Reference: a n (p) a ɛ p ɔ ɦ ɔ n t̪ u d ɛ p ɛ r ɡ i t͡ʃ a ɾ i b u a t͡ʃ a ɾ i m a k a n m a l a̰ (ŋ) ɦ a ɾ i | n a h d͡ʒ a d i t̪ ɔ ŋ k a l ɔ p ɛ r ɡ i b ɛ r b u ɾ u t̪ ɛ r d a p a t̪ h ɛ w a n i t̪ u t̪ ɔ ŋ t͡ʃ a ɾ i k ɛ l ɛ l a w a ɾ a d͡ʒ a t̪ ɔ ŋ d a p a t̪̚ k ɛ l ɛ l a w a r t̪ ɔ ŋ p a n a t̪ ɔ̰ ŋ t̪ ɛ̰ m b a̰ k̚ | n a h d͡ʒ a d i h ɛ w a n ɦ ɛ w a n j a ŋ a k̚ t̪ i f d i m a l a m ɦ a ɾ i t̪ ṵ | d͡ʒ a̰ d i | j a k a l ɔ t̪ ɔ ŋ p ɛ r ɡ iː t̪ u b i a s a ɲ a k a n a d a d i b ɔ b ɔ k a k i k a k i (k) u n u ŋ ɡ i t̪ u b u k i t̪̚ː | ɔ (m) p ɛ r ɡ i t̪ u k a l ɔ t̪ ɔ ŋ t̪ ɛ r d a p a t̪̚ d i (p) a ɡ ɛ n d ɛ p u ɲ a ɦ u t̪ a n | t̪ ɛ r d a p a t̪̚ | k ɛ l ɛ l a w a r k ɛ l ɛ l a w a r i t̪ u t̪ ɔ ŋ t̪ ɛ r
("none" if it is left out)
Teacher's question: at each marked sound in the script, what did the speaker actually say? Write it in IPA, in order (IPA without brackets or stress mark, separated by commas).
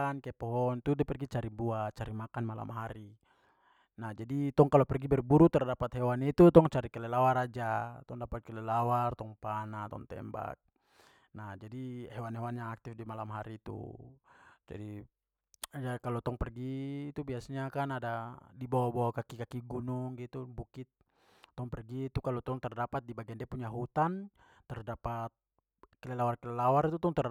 k, m, ɡ, ŋ, b